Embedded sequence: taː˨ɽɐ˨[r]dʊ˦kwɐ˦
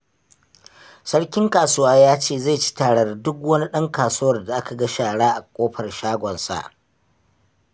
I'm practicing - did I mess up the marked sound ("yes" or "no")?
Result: no